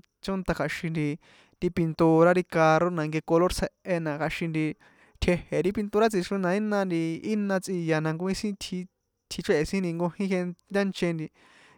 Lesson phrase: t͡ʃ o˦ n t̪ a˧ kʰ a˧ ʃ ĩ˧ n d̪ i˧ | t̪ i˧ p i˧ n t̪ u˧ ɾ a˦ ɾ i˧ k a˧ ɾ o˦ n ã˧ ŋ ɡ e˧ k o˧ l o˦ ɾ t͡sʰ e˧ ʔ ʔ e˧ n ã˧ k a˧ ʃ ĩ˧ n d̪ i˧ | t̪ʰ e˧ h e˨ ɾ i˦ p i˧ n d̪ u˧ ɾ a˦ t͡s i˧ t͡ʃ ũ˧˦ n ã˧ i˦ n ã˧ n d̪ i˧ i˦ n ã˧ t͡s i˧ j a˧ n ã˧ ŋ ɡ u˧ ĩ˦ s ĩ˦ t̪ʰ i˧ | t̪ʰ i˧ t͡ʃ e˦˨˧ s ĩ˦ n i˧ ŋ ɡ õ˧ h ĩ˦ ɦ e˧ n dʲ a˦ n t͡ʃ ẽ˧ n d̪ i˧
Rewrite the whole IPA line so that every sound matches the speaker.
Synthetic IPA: t͡ʃ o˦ n t̪ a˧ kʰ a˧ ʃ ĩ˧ n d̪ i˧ | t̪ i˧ p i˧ n t̪ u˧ ɾ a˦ ɾ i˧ k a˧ ɾ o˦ n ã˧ ŋ ɡ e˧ k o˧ l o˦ ɾ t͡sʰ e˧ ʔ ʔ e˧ n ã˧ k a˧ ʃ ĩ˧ n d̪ i˧ | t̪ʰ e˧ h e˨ ɾ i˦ p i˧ n t̪ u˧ ɾ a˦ t͡s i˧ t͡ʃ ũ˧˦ n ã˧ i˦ n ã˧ n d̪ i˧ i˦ n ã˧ t͡s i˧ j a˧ n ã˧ ŋ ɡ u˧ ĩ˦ s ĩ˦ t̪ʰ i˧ | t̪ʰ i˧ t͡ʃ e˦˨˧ s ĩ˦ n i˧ ŋ ɡ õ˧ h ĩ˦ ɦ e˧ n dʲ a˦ n t͡ʃ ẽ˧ n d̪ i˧